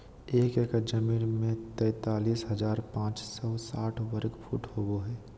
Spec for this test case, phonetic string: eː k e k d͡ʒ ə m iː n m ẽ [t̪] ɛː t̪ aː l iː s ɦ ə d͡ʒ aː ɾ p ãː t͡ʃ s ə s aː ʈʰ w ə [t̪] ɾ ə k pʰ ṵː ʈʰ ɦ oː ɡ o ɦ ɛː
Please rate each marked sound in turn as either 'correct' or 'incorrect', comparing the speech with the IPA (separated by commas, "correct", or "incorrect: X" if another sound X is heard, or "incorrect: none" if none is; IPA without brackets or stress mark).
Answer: correct, incorrect: none